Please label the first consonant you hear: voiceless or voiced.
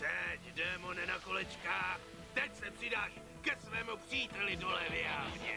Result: voiceless